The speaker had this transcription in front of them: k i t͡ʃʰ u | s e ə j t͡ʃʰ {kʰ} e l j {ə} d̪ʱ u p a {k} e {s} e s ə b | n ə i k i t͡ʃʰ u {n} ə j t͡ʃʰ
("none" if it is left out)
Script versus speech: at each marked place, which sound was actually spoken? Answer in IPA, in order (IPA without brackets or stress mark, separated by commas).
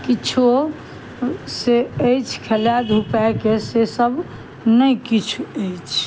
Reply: kʰ, a, k, s, none